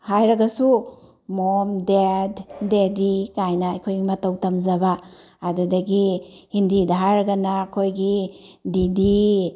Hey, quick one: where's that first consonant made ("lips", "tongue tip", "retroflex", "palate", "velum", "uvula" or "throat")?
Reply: throat